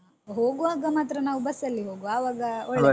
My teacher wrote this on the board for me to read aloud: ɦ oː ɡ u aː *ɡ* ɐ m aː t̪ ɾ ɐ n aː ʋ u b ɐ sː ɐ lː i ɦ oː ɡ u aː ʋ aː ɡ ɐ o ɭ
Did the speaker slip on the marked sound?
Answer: no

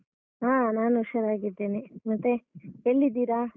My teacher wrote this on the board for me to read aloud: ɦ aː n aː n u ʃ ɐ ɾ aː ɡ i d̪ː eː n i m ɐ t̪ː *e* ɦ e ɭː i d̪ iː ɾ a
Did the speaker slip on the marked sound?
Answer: no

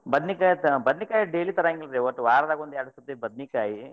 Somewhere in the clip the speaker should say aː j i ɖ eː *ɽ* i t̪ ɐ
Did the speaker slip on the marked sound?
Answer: yes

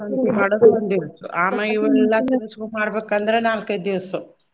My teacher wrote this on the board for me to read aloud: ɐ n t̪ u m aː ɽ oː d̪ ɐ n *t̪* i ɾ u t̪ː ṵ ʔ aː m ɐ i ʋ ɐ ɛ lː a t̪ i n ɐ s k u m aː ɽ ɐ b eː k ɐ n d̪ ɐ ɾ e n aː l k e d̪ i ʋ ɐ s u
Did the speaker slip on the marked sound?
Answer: yes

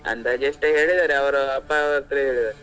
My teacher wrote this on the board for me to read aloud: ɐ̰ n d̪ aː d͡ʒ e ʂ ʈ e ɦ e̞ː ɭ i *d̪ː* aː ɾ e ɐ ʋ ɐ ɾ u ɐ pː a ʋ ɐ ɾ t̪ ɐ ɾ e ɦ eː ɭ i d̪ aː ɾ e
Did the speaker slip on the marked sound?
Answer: yes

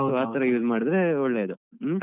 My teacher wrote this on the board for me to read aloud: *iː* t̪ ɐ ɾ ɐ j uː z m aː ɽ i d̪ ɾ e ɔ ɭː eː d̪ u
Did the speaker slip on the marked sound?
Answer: yes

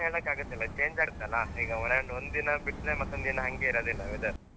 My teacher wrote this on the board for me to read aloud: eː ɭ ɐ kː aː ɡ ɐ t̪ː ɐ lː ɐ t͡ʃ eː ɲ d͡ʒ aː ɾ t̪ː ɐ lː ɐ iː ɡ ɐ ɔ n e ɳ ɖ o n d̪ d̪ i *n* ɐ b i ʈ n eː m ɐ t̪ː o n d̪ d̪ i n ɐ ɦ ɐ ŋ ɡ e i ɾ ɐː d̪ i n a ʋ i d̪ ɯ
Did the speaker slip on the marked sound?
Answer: no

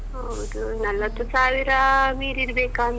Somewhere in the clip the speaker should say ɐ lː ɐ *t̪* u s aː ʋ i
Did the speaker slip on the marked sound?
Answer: no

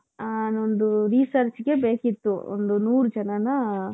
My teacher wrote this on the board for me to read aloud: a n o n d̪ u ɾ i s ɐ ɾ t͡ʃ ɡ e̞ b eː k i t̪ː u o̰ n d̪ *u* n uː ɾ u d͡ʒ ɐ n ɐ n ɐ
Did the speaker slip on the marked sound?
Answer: no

